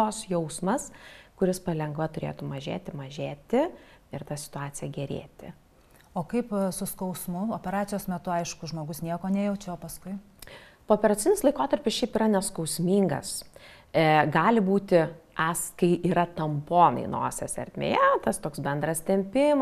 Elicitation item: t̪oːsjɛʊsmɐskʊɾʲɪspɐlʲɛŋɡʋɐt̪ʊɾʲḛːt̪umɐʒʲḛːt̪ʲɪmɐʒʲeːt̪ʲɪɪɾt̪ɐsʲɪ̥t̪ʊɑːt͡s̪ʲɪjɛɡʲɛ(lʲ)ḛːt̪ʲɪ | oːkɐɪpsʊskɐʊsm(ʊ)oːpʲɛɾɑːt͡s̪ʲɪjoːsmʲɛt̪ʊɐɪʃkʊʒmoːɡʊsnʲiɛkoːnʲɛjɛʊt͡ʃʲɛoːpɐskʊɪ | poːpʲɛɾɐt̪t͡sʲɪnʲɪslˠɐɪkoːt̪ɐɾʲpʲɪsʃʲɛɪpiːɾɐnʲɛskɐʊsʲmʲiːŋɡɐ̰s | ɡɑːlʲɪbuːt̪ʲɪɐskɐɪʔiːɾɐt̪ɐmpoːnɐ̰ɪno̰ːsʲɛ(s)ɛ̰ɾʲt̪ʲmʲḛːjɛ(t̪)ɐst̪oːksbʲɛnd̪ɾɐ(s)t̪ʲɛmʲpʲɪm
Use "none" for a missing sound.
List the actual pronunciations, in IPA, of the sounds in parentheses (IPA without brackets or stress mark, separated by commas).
ɾʲ, ʊ, s, t̪, s